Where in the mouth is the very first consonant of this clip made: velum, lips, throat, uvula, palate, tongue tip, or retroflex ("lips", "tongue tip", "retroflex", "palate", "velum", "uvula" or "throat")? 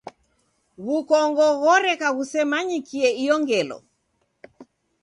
velum